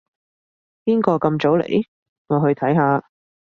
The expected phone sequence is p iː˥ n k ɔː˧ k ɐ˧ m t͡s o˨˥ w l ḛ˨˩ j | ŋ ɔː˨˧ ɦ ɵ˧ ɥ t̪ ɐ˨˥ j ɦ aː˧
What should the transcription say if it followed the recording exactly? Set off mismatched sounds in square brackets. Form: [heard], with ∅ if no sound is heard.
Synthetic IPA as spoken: p iː˥ n k ɔː˧ k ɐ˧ m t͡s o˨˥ w l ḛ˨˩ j | ŋ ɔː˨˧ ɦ ɵ˧ ɥ [t̪ʰ] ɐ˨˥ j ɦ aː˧